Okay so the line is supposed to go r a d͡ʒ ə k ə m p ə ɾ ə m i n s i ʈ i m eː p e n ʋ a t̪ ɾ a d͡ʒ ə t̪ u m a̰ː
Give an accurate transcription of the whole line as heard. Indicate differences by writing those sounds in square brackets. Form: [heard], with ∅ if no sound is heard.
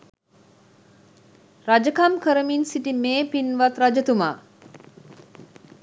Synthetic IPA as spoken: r a d͡ʒ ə k [a] m [k] ə ɾ ə m i n s i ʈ i m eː p [i] n ʋ a t̪ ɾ a d͡ʒ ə t̪ u m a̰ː